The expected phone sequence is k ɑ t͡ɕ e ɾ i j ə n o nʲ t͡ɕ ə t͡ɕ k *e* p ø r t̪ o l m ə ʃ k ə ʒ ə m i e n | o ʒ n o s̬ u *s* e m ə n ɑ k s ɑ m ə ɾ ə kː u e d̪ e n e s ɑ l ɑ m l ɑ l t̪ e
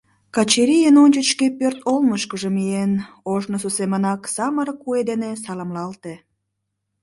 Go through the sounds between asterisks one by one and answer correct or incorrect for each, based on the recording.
correct, correct

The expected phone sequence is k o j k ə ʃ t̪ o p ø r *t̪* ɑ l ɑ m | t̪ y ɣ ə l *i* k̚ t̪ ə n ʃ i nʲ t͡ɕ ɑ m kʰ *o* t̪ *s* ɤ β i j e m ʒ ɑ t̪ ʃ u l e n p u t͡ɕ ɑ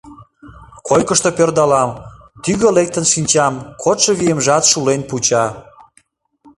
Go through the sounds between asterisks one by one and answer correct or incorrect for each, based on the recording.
incorrect: d̪, incorrect: e, correct, incorrect: ʃ

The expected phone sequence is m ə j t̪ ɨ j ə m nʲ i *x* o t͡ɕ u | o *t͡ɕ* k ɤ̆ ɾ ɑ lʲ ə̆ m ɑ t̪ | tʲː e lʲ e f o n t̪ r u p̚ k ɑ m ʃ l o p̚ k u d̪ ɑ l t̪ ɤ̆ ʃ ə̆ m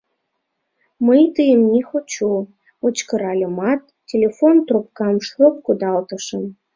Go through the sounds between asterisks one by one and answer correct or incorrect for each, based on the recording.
correct, correct

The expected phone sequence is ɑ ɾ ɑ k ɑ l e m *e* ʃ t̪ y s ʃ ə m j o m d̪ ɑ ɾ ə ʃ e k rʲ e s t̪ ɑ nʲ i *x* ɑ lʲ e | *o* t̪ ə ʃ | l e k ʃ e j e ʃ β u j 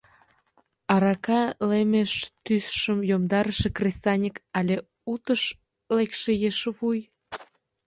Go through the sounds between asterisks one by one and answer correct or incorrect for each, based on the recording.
correct, incorrect: k, incorrect: u

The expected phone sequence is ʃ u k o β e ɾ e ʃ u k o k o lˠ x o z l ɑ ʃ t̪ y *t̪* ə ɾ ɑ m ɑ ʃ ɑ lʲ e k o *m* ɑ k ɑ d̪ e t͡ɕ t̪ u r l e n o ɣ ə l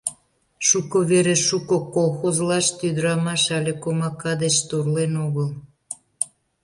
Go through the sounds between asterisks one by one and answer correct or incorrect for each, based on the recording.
incorrect: d̪, correct

